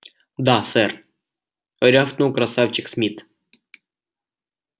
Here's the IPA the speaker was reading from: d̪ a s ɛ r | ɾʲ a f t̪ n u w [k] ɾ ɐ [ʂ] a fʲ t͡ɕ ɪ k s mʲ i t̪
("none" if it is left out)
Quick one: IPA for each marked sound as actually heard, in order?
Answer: k, s

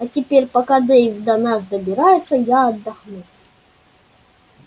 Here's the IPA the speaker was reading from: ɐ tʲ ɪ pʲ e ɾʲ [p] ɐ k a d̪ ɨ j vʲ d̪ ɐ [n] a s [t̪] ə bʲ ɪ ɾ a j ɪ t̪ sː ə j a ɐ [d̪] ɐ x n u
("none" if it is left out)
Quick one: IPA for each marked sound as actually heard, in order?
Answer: p, n, d̪, d̪ː

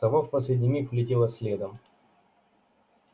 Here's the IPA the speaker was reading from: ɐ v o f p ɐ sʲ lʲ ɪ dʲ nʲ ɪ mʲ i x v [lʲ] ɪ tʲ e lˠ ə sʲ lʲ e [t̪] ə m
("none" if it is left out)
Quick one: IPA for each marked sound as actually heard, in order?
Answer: lʲ, d̪

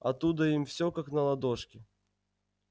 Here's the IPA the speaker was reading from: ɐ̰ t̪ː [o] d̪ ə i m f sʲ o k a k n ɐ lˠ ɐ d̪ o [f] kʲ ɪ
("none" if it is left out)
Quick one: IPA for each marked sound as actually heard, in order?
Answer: u, ʂ

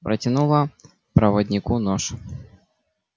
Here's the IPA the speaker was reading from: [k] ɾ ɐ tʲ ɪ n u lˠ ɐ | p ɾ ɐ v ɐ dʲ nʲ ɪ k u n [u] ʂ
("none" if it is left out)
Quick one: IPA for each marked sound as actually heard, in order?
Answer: p, ɔ

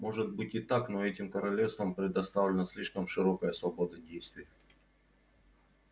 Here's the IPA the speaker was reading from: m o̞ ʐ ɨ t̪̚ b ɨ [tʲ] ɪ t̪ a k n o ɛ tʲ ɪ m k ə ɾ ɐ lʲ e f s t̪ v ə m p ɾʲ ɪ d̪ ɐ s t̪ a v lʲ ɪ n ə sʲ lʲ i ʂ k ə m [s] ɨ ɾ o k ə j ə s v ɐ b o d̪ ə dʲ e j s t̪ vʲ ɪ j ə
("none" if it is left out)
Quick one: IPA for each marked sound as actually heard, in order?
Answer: tʲ, ʂ

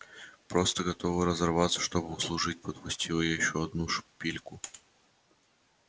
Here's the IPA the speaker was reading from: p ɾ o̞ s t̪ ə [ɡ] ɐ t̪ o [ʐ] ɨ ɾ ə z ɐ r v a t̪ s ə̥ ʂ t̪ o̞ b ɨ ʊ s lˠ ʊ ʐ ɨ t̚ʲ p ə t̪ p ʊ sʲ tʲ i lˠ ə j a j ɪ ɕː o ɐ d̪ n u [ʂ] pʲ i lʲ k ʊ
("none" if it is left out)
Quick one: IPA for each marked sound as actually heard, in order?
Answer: ɡ, v, ʂ

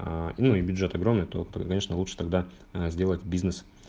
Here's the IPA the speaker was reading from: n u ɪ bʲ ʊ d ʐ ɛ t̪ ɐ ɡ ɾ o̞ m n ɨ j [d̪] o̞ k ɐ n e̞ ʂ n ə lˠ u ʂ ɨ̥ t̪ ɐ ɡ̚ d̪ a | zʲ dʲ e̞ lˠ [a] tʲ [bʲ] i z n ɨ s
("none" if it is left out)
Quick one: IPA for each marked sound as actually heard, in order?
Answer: t̪, ə, bʲ

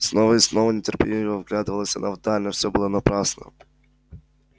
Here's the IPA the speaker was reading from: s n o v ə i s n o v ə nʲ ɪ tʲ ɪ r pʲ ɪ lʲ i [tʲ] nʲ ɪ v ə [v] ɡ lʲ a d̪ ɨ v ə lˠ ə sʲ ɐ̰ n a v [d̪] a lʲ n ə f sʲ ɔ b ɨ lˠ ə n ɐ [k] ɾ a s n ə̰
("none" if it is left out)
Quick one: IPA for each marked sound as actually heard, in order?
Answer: none, v, d̪, p

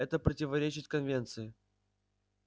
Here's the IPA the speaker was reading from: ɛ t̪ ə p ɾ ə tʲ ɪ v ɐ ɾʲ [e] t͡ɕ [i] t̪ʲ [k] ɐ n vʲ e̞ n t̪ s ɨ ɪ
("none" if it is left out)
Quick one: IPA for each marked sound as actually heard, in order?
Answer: e, ɪ, k

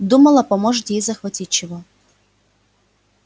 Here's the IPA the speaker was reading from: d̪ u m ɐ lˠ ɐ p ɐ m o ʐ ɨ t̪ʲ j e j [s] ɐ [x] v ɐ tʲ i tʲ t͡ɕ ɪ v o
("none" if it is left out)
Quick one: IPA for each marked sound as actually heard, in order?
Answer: z, x

